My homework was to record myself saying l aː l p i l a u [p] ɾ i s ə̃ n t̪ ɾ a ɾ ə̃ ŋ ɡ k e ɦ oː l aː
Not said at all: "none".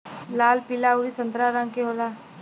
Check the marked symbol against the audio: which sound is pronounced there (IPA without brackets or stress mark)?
none